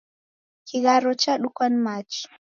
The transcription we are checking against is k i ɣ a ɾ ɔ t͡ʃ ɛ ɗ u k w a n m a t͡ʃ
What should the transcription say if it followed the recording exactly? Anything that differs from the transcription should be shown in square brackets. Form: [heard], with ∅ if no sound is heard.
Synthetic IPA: k i ɣ a ɾ ɔ t͡ʃ [a] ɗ u k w a n m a t͡ʃ